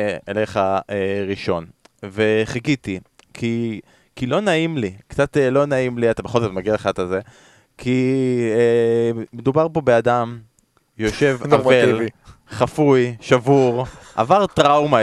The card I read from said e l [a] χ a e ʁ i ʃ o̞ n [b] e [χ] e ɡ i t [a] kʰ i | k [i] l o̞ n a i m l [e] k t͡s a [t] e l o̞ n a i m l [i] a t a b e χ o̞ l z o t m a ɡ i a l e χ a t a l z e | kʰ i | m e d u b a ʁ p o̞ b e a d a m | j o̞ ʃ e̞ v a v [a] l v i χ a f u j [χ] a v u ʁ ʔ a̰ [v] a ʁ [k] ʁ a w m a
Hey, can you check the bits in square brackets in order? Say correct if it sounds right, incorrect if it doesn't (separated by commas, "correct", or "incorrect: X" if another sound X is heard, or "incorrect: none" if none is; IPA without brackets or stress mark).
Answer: incorrect: e, incorrect: v, correct, incorrect: i, correct, incorrect: i, correct, correct, incorrect: e, incorrect: ʃ, correct, incorrect: t